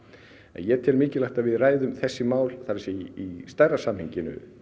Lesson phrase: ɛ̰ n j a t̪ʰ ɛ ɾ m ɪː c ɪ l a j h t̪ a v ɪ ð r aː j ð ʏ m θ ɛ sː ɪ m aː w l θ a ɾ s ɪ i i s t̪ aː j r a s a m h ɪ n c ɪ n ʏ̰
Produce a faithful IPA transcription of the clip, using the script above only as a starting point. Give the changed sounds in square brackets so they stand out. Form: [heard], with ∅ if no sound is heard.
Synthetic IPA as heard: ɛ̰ n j [ɛ] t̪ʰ ɛ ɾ m ɪː c ɪ l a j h t̪ a v ɪ ð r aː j ð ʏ m θ ɛ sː ɪ m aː w l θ a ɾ s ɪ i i s t̪ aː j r a s a m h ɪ [ɲ] c ɪ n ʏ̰